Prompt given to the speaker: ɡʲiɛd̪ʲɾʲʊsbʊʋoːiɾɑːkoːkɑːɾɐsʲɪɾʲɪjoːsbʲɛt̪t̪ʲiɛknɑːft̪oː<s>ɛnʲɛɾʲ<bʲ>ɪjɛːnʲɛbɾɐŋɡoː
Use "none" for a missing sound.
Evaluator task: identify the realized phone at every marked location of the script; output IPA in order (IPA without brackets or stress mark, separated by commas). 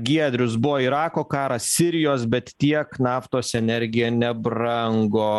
s, ɡʲ